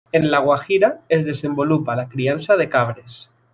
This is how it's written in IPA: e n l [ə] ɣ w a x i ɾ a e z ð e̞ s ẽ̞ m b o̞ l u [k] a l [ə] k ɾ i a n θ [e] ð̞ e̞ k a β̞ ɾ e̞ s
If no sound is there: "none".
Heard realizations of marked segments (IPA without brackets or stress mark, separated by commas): a, p, a, a